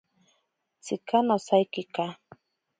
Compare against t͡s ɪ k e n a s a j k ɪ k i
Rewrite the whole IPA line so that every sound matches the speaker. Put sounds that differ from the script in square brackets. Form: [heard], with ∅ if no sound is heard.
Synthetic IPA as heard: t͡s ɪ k [a] n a s a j k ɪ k [a]